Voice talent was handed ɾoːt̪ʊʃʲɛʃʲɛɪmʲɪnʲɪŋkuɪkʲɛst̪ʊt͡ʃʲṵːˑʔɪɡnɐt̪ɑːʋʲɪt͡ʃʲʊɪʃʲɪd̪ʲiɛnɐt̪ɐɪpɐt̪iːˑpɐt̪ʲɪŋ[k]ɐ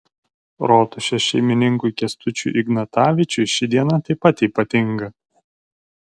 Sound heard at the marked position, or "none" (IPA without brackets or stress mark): ɡ